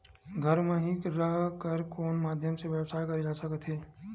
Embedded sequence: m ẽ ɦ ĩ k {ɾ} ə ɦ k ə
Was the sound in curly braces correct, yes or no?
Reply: yes